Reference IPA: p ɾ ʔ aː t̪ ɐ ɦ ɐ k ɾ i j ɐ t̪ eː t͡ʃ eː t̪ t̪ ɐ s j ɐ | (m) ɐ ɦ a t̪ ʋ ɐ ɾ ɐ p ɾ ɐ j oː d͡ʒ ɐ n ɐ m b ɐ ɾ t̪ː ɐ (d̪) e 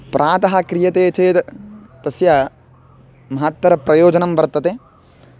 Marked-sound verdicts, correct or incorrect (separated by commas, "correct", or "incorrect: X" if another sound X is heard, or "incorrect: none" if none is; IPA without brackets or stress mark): correct, incorrect: t̪